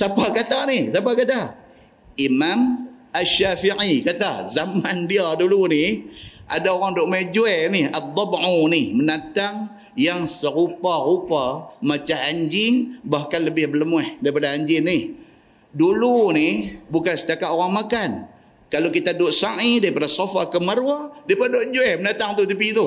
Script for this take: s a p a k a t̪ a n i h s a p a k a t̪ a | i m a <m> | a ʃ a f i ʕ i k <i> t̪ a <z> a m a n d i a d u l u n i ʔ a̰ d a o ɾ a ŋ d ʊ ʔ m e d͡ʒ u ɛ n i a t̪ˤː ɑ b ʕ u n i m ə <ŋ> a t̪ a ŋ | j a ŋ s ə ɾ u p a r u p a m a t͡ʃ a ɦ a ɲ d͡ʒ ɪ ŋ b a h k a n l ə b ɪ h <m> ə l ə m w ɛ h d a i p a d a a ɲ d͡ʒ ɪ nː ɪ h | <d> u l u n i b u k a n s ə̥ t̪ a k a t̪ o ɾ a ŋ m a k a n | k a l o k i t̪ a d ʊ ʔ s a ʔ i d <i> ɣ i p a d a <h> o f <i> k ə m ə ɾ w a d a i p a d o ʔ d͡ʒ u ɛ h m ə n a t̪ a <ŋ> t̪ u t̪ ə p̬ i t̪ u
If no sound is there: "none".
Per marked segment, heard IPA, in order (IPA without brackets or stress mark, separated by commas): m, a, z, n, b, d, a, s, a, ŋ